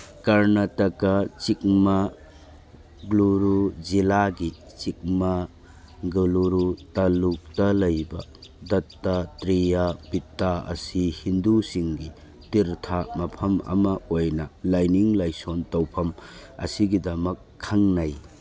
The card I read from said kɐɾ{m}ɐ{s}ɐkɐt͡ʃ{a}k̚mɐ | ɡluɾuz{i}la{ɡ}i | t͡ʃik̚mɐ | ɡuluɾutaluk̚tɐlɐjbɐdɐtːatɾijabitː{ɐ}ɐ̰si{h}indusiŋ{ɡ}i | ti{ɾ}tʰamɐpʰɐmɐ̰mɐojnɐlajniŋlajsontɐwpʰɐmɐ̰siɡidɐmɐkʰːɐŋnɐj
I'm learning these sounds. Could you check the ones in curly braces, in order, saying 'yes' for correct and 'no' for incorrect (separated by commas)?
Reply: no, no, no, yes, yes, no, yes, yes, yes